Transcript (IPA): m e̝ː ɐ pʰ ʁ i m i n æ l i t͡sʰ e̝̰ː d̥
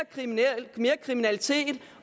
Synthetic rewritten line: m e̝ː ɐ kʰ ʁ i m i n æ l i t͡sʰ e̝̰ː d̥